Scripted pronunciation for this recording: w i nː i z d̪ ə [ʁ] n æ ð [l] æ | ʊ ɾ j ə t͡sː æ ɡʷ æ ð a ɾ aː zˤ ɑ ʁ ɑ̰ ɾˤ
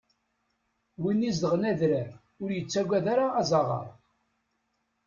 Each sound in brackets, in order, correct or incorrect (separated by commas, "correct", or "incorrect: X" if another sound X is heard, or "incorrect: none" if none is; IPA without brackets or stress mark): correct, incorrect: ɾ